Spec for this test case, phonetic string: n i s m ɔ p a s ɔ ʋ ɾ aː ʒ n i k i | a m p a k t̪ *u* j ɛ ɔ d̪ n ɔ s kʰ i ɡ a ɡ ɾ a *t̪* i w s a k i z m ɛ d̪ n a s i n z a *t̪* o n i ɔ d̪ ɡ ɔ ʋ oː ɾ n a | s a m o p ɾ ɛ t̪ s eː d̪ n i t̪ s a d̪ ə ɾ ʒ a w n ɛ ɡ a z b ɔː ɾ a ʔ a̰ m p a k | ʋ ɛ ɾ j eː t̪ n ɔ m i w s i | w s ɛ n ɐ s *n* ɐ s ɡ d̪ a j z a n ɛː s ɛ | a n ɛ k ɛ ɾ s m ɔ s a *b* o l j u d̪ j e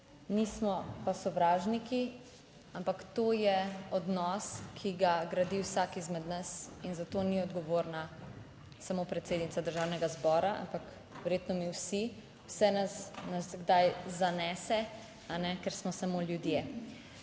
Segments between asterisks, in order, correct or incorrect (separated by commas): incorrect, incorrect, correct, correct, incorrect